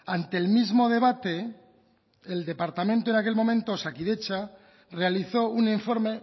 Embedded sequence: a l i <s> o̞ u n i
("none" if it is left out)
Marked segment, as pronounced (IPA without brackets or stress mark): θ